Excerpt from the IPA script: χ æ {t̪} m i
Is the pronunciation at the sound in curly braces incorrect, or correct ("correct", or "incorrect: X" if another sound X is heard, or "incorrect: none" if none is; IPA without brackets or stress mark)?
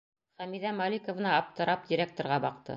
incorrect: none